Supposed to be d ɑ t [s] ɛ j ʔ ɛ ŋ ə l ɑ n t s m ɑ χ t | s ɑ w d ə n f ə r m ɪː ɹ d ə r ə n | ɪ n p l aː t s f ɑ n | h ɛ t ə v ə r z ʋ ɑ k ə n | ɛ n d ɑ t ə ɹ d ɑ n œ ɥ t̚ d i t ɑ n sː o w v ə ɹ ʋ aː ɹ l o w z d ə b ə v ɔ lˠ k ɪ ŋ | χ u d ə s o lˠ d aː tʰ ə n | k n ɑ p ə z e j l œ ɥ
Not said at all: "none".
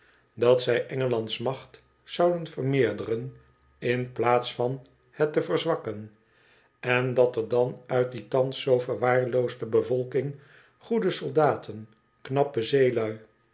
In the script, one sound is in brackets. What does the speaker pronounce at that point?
s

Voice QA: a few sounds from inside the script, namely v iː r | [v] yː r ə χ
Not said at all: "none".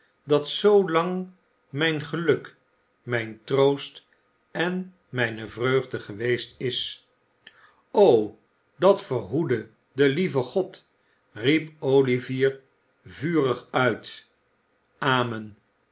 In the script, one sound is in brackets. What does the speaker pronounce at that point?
v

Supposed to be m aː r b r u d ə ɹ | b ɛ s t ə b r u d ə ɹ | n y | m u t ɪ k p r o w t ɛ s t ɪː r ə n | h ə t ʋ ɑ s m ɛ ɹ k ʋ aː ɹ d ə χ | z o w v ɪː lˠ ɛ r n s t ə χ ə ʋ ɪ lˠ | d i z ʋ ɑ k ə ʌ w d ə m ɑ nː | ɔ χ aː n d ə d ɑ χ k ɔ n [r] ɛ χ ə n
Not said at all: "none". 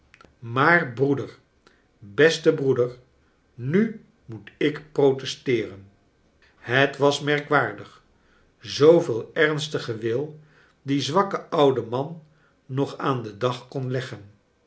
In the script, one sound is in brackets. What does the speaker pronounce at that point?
l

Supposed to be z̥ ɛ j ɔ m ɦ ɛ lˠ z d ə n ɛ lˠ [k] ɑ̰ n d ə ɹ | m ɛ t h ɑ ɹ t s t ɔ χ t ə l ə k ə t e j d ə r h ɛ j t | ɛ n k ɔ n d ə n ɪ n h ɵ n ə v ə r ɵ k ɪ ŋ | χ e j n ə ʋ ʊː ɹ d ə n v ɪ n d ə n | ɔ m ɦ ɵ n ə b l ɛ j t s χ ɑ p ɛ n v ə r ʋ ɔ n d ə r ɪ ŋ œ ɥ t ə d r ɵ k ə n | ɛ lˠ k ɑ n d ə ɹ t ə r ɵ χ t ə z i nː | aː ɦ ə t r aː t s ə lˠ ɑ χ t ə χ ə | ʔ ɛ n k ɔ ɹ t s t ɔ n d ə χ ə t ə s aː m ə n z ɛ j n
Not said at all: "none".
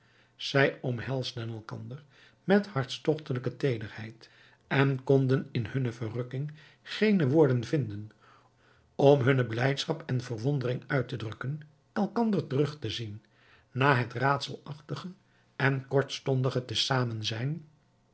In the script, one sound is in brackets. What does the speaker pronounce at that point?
k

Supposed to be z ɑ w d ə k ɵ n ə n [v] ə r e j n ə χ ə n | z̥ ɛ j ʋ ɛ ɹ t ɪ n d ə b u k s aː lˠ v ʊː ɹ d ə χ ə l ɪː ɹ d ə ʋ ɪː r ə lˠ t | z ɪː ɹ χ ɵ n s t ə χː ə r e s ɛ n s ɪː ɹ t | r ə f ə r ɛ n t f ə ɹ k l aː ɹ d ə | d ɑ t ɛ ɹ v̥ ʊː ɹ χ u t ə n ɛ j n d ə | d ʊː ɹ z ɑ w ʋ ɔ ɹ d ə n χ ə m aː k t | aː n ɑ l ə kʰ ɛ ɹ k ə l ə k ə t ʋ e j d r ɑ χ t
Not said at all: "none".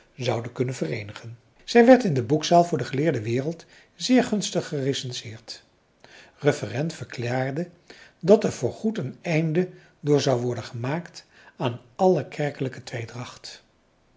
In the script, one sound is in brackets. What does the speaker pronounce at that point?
v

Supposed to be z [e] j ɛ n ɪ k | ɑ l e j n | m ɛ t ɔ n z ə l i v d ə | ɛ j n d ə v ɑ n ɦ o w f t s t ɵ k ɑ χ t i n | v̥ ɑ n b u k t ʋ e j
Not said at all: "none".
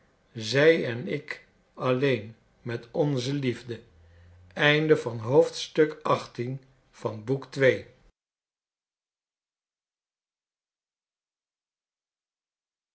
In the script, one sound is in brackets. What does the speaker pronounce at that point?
ɛ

